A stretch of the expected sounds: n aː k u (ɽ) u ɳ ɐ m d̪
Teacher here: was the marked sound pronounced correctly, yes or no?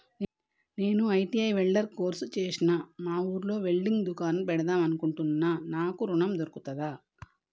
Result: no